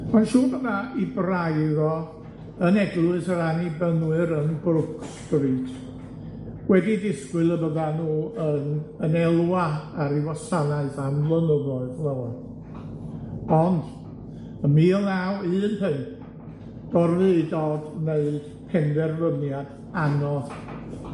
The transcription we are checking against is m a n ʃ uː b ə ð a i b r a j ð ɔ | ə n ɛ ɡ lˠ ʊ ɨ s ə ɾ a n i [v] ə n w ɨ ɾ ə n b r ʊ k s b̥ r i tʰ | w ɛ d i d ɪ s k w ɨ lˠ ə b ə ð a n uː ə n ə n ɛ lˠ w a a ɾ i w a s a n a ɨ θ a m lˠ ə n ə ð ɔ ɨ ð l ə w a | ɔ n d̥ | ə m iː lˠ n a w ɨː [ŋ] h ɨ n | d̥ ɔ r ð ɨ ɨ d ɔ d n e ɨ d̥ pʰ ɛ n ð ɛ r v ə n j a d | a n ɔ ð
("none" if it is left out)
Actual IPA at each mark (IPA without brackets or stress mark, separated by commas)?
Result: b, n